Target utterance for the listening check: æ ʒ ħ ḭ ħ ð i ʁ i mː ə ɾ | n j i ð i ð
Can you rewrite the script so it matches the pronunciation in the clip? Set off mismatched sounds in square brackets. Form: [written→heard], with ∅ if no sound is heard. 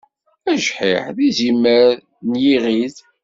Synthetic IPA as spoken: æ ʒ ħ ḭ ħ ð i [ʁ→z] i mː ə ɾ | n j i [ð→ʁ] i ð